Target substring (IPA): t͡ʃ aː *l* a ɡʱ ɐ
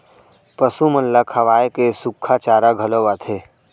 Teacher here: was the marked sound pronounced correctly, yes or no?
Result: no